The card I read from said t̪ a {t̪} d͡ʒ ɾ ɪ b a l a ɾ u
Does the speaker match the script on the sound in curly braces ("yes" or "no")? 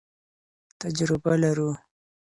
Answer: no